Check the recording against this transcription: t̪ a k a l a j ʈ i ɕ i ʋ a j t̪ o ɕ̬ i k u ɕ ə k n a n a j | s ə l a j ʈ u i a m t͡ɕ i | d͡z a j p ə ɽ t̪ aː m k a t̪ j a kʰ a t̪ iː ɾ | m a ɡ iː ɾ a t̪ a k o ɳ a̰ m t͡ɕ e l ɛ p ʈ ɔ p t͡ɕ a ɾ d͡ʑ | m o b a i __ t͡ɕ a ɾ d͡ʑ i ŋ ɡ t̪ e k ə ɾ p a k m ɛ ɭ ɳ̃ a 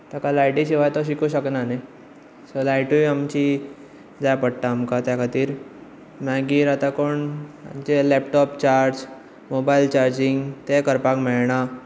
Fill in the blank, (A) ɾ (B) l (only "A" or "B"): B